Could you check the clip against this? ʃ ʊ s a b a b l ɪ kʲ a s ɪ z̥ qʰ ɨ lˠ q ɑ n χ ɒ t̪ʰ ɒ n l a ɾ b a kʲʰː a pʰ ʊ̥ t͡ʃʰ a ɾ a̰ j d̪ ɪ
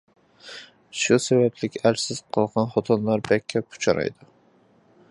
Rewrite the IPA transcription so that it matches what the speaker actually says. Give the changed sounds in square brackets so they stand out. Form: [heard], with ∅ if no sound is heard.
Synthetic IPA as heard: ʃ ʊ s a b a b l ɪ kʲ a s ɪ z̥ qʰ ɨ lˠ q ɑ n χ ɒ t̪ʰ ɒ n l a ɾ b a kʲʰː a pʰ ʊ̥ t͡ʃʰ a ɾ a̰ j d̪ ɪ